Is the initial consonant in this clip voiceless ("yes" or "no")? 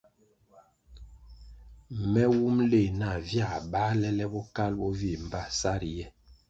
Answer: no